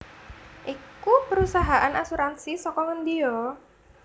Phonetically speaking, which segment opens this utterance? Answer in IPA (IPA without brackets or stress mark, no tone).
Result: ʔ